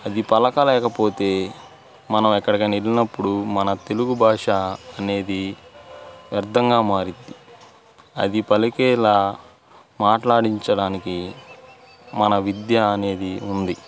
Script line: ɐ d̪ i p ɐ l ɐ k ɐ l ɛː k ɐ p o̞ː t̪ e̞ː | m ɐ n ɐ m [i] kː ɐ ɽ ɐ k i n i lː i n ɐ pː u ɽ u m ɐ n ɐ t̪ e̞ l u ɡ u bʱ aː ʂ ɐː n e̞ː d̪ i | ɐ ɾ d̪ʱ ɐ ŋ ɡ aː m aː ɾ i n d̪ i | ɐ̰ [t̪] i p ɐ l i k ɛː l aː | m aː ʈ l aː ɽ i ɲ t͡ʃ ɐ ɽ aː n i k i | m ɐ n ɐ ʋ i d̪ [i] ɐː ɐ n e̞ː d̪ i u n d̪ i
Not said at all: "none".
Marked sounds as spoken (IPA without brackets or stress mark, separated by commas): ɛ, d̪, j